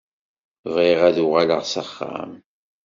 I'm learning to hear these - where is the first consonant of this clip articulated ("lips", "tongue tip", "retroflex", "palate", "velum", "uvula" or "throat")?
lips